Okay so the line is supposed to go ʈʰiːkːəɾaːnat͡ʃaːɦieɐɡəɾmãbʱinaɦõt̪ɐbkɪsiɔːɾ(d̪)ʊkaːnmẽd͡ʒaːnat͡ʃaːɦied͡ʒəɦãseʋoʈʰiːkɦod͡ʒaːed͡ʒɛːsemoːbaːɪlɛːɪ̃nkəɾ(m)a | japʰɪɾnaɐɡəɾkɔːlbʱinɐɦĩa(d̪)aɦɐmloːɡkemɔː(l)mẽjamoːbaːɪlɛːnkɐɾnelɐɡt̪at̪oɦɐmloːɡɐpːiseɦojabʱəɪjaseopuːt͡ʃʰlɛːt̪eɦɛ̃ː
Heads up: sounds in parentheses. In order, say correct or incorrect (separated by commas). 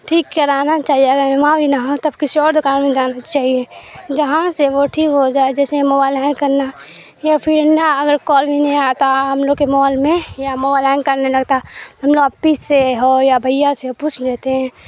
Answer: correct, incorrect, incorrect, correct